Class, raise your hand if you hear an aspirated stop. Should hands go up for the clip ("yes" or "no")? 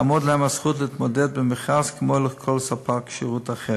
yes